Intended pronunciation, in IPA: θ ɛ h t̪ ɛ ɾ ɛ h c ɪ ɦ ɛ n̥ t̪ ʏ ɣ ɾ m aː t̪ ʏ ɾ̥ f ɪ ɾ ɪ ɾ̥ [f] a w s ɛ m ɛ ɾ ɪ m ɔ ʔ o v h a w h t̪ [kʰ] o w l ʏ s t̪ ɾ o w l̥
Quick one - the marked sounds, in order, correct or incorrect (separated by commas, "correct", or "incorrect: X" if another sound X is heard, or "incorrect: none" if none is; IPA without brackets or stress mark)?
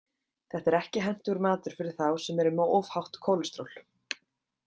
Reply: incorrect: θ, correct